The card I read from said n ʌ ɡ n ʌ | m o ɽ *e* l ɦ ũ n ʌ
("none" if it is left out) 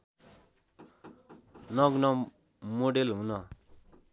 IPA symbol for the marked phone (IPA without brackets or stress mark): e